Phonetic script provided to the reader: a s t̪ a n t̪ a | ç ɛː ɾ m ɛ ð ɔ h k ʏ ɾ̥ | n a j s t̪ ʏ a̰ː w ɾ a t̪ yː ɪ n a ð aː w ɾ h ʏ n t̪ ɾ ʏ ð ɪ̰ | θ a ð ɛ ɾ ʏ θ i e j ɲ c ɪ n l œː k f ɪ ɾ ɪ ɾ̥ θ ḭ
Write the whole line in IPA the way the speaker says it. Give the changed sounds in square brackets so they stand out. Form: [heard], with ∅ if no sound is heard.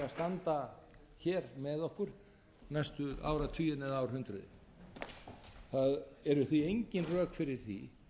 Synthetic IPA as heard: a s t̪ a n t̪ a | ç ɛː ɾ m ɛ ð ɔ h k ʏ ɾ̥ | n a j s t̪ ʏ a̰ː w ɾ a [t̪ʰ] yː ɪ n [ɛ] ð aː w ɾ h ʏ n t̪ ɾ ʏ ð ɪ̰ | θ a ð ɛ ɾ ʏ θ i e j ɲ c ɪ n [r] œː k f ɪ ɾ ɪ ɾ̥ θ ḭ